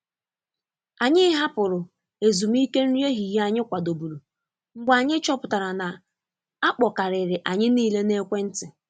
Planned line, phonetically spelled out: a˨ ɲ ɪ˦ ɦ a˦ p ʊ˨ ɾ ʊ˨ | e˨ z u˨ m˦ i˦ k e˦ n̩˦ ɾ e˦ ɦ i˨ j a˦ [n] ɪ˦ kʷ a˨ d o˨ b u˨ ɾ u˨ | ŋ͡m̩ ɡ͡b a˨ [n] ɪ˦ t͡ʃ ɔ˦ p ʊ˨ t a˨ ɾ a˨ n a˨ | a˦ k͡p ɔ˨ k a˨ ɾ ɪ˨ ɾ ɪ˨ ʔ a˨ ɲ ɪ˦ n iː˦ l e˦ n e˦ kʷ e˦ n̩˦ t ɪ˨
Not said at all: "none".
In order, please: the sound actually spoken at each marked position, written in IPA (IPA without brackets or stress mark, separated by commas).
ɲ, ɲ